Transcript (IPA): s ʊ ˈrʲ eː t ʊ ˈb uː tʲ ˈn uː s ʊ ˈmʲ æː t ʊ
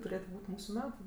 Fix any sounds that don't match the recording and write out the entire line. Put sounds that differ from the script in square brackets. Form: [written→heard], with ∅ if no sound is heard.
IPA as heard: [s→t] ʊ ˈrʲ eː t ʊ ˈb uː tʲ [ˈn→ˈm] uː s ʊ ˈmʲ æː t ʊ